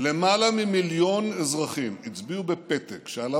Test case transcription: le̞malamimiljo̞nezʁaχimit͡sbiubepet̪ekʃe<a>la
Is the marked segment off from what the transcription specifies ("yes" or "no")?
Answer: no